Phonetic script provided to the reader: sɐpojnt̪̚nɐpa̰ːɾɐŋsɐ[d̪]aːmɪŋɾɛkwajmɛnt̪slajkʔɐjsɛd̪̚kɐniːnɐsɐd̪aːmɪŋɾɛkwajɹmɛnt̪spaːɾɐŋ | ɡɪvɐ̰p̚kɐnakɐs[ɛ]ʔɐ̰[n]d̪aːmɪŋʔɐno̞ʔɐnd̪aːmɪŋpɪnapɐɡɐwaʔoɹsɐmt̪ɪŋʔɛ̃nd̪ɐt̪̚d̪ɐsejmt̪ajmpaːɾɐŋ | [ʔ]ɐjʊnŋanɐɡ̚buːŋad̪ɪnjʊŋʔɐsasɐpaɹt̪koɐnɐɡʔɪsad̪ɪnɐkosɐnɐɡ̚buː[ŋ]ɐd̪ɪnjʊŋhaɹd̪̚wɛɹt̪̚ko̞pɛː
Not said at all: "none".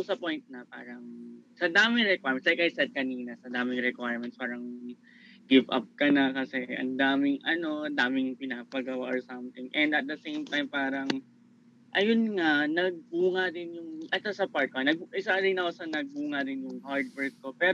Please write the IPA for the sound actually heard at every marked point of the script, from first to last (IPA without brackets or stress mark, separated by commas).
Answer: d̪, ɛ, n, ʔ, ŋ